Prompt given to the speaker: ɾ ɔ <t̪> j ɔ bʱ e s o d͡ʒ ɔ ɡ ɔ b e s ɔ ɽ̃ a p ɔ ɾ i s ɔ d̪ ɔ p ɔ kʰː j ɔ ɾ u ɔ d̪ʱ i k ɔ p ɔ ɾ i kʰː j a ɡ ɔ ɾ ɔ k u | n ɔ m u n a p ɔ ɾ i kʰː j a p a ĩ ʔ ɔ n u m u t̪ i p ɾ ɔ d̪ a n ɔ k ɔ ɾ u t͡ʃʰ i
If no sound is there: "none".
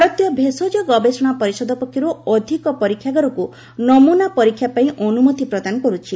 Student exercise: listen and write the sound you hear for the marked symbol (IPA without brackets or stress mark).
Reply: t̪